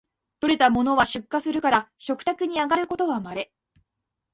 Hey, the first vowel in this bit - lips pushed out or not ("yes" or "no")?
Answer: yes